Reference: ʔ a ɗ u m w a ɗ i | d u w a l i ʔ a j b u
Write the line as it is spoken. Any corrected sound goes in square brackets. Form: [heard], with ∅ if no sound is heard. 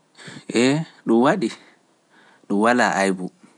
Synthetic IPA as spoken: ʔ [ɛ] ɗ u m w a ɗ i | [ɗ] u w a l [a] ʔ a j b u